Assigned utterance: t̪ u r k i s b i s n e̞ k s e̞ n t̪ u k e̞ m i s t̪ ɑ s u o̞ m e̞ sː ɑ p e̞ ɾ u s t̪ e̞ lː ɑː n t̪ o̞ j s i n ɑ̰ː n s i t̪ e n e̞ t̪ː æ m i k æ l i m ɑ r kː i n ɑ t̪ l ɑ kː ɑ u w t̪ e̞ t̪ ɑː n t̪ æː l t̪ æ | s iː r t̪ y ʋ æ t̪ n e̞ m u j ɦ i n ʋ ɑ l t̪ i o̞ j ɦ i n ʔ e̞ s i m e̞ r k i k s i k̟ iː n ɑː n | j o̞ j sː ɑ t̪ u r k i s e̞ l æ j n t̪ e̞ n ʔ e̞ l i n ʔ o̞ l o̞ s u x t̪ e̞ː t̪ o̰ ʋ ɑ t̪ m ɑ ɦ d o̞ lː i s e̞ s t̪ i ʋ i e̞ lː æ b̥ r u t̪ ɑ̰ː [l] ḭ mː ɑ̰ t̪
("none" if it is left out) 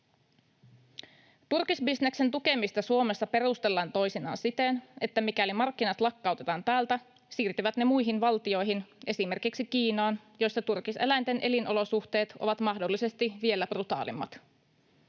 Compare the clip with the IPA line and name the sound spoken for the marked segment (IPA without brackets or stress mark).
l